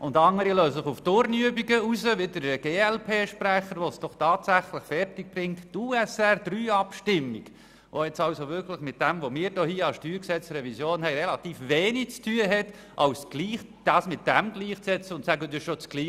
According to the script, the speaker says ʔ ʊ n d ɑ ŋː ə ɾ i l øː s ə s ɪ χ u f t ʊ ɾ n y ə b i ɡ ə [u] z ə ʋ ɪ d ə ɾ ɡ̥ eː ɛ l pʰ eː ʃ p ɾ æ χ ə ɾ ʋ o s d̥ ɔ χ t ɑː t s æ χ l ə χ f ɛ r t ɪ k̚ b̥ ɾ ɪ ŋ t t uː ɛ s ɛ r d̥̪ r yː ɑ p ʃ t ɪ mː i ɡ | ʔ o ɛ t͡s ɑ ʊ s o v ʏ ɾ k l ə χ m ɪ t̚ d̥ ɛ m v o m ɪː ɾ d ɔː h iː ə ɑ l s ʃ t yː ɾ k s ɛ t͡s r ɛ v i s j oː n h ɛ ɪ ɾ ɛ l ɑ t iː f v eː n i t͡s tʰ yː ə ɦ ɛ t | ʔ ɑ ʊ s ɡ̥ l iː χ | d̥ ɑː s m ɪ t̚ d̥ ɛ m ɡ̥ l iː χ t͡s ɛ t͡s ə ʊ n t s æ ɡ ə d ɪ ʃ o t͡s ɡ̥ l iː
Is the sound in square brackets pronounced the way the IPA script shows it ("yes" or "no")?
yes